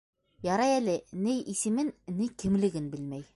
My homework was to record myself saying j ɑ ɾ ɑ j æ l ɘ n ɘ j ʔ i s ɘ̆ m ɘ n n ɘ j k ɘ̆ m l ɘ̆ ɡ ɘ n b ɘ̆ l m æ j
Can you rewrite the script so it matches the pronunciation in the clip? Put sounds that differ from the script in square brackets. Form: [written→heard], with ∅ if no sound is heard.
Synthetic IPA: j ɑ ɾ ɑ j æ l ɘ n ɘ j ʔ i s ɘ̆ m ɘ n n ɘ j k ɘ̆ m l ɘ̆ ɡ ɘ n b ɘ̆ l m æ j

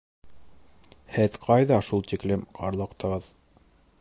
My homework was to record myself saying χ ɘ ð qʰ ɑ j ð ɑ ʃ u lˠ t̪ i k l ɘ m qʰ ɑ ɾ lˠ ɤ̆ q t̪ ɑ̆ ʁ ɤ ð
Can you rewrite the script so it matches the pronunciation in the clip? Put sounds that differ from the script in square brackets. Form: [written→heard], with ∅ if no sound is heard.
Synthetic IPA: [χ→h] ɘ ð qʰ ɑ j ð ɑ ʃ u lˠ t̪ i k l ɘ m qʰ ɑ ɾ lˠ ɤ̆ q t̪ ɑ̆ ʁ ɤ ð

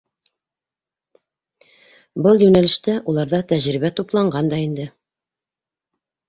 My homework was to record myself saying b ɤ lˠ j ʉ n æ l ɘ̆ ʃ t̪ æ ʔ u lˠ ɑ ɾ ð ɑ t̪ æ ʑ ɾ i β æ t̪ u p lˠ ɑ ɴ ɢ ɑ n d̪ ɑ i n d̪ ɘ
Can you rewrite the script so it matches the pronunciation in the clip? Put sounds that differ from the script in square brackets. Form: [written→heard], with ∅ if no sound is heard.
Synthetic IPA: b ɤ lˠ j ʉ n æ l ɘ̆ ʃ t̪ æ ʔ u lˠ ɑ ɾ ð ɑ t̪ æ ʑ ɾ i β æ t̪ u p lˠ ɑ ɴ ɢ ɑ n d̪ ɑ i n d̪ ɘ

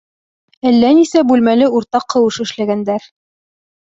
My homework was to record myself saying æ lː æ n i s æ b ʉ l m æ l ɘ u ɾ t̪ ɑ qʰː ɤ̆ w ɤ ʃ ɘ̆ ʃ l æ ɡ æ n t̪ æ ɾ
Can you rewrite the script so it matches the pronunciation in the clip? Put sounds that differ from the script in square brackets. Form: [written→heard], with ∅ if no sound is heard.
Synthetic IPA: æ lː æ n i s æ b ʉ l m æ l ɘ u ɾ t̪ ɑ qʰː ɤ̆ w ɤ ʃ ɘ̆ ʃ l æ ɡ æ n [t̪→d̪] æ ɾ

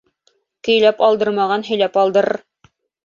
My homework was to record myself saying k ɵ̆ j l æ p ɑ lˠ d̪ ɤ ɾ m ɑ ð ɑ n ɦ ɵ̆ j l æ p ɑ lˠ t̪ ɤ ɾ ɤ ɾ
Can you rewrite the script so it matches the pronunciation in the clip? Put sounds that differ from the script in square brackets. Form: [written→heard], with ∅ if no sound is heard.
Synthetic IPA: k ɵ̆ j l æ p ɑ lˠ d̪ ɤ ɾ m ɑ [ð→ʁ] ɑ n ɦ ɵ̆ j l æ p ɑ lˠ [t̪→d̪] ɤ ɾ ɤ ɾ

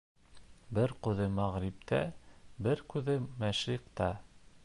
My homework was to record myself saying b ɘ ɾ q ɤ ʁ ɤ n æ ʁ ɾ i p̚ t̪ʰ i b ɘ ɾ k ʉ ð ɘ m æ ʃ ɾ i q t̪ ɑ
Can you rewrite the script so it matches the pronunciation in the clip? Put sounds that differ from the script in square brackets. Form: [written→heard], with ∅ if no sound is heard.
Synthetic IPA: b ɘ ɾ q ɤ [ʁ→ð] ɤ [n→m] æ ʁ ɾ i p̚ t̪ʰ [i→æ] b ɘ ɾ k ʉ ð ɘ m æ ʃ ɾ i q t̪ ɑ

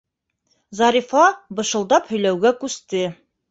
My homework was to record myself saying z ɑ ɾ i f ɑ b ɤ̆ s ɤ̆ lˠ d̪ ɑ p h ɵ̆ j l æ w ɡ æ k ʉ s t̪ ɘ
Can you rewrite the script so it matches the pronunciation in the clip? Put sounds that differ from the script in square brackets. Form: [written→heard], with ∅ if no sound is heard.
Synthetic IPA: z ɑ ɾ i f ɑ b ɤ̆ [s→ʃ] ɤ̆ lˠ d̪ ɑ p h ɵ̆ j l æ w ɡ æ k ʉ s t̪ ɘ

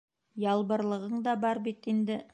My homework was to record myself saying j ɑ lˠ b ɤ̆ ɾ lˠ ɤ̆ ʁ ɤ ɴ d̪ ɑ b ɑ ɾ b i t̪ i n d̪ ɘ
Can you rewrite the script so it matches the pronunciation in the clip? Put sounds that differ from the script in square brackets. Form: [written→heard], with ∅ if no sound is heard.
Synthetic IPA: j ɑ lˠ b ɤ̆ ɾ lˠ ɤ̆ ʁ ɤ ɴ d̪ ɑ b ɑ ɾ b i t̪ i n d̪ ɘ

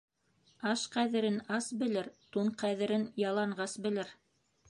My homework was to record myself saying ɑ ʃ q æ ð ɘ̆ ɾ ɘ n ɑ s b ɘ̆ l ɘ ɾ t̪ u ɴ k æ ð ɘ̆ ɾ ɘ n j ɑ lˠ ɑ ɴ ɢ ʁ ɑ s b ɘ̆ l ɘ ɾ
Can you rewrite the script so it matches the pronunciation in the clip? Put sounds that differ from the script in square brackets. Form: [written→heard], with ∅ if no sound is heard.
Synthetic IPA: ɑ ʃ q æ ð ɘ̆ ɾ ɘ n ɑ s b ɘ̆ l ɘ ɾ t̪ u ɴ [k→q] æ ð ɘ̆ ɾ ɘ n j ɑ lˠ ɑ ɴ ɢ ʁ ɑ s b ɘ̆ l ɘ ɾ

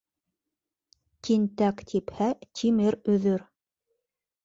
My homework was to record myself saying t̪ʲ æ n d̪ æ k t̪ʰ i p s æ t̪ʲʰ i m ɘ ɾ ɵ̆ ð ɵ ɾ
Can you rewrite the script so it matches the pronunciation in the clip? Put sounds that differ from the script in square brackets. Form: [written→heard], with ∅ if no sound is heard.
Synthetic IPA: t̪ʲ [æ→i] n [d̪→t̪] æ k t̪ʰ i p [s→h] æ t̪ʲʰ i m ɘ ɾ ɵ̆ ð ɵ ɾ

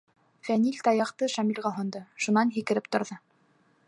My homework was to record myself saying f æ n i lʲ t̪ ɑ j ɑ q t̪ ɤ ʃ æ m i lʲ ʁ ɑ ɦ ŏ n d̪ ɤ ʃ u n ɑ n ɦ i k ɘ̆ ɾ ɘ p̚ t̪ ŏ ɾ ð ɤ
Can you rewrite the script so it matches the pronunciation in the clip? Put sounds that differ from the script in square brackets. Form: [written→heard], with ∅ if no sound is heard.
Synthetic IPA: f æ n i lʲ t̪ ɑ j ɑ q t̪ ɤ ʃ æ m i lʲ ʁ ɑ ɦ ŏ n d̪ ɤ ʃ u n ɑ n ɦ i k ɘ̆ ɾ ɘ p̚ t̪ ŏ ɾ ð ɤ

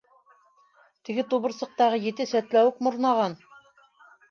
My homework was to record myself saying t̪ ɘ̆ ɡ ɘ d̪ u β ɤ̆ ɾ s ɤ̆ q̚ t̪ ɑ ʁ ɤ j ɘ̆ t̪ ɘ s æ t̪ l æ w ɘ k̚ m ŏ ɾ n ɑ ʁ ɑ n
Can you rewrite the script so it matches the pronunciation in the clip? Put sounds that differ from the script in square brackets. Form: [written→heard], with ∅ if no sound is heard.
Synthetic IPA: t̪ ɘ̆ ɡ ɘ [d̪→t̪] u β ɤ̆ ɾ s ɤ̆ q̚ t̪ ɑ ʁ ɤ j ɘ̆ t̪ ɘ s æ t̪ l æ w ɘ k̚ m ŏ ɾ n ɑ ʁ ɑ n

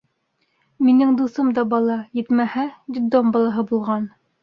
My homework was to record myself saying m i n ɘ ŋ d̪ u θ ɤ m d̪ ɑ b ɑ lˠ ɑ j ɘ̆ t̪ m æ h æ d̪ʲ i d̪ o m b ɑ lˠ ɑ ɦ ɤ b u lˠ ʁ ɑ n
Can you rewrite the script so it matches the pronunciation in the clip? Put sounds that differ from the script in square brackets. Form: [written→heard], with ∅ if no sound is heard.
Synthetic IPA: m i n ɘ ŋ d̪ u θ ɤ m d̪ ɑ b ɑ lˠ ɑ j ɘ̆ t̪ m æ h æ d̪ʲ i d̪ o m b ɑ lˠ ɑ ɦ ɤ b u lˠ ʁ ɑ n

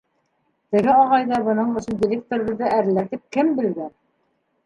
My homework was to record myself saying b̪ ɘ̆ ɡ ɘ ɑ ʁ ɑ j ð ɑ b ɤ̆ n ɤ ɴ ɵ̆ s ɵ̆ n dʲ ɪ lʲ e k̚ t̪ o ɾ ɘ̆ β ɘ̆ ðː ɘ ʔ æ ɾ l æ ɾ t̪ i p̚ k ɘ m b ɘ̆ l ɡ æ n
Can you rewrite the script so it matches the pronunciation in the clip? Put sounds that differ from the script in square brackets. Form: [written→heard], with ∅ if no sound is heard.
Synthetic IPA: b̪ ɘ̆ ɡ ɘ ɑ ʁ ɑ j ð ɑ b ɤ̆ n ɤ ɴ ɵ̆ s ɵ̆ n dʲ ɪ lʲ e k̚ t̪ o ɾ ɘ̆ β ɘ̆ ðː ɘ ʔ æ ɾ l æ ɾ t̪ i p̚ k ɘ m b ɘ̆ l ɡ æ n

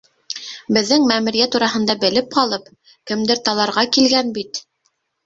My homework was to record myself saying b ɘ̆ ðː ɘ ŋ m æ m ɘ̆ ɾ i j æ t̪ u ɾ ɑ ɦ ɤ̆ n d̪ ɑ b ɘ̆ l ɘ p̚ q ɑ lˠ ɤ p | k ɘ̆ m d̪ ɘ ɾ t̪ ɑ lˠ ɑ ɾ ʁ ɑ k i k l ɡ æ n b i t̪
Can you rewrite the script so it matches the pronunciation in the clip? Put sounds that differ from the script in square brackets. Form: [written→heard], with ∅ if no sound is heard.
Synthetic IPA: b ɘ̆ ðː ɘ ŋ m æ m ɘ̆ ɾ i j æ t̪ u ɾ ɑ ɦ ɤ̆ n d̪ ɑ b ɘ̆ l ɘ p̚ q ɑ lˠ ɤ p | k ɘ̆ m d̪ ɘ ɾ t̪ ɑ lˠ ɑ ɾ ʁ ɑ k i [k→∅] l ɡ æ n b i t̪

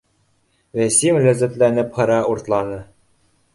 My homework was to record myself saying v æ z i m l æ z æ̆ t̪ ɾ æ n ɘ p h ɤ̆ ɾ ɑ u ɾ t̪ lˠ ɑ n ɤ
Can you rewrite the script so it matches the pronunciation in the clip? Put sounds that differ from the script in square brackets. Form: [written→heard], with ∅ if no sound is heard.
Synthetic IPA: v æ [z→s] i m l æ z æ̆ t̪ [ɾ→l] æ n ɘ p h ɤ̆ ɾ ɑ u ɾ t̪ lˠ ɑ n ɤ

